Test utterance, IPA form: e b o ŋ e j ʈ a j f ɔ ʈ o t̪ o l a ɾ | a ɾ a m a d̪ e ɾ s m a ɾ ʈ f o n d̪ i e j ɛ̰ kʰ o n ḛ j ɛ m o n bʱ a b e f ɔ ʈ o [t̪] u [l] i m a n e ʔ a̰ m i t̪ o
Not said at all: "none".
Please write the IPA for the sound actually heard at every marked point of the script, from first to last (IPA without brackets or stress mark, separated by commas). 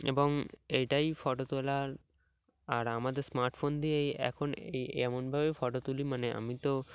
t̪, l